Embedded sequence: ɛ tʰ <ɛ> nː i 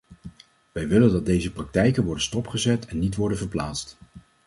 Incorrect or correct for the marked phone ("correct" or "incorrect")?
correct